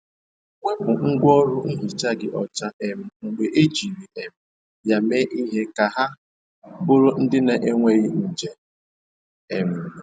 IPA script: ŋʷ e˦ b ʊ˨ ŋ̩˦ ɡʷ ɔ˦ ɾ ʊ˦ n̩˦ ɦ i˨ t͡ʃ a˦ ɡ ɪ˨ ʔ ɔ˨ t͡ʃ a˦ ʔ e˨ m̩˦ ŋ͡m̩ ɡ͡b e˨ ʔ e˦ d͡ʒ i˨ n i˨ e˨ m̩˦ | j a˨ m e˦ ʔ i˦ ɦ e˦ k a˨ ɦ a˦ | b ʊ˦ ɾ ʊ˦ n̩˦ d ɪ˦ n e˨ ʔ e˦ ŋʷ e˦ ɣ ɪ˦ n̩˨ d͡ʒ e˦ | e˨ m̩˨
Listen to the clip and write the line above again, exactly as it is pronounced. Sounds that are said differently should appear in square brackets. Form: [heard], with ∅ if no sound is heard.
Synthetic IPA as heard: ŋʷ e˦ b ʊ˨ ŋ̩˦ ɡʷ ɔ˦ ɾ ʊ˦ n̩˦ ɦ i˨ t͡ʃ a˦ ɡ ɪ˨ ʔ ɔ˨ t͡ʃ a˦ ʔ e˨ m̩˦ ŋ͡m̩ ɡ͡b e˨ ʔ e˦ d͡ʒ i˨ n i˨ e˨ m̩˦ | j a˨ m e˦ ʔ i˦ ɦ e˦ k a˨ ɦ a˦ | b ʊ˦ ɾ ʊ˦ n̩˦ d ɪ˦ n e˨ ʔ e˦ ŋʷ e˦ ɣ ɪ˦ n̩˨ d͡ʒ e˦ | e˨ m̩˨